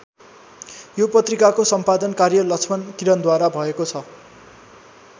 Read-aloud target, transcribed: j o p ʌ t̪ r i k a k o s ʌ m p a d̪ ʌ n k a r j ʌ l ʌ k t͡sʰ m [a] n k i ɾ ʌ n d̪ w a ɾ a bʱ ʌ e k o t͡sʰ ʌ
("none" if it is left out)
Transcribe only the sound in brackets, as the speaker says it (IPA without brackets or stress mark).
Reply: ʌ